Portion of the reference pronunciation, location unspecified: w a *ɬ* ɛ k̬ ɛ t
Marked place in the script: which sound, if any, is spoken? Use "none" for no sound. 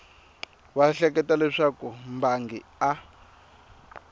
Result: ɬ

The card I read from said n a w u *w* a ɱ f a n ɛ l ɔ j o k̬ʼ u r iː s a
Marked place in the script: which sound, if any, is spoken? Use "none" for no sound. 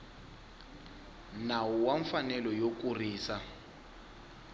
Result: w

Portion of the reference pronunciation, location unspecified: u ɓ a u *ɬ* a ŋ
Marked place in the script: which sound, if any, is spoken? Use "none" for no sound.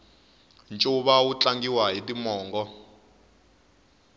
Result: t͡ɬ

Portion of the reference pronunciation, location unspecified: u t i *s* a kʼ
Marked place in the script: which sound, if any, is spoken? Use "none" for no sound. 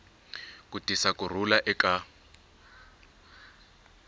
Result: s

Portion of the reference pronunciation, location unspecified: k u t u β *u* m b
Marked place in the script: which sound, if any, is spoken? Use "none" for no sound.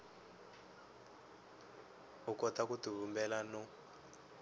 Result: u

